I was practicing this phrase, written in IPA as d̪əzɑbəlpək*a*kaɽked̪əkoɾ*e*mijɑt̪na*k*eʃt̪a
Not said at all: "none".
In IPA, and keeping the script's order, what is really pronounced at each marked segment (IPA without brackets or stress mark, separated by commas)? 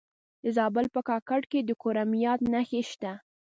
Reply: ɑ, a, x